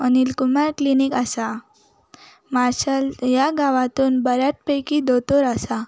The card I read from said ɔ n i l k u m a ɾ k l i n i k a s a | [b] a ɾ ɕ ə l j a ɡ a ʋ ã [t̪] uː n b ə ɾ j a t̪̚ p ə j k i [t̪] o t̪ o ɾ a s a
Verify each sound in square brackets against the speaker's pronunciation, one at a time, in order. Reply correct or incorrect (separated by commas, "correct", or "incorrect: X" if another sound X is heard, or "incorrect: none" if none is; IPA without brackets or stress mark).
incorrect: m, correct, incorrect: d̪